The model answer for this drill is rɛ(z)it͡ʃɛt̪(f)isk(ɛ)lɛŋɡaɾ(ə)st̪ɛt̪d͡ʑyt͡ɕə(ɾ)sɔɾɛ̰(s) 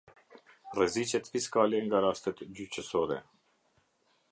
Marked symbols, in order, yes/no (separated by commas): yes, yes, no, no, no, no